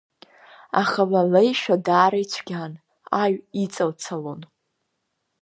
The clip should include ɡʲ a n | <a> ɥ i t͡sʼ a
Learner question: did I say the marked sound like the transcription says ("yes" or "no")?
yes